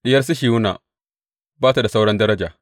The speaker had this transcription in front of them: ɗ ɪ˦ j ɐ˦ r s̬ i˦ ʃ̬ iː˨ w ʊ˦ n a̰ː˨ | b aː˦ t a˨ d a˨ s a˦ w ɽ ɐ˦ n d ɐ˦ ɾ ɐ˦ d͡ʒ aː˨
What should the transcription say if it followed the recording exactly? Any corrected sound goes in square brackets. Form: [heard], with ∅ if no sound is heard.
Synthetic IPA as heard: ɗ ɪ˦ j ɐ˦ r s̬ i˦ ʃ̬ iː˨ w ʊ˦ n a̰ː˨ | b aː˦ t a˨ d a˨ s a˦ w ɽ ɐ˦ n d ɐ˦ ɾ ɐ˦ d͡ʒ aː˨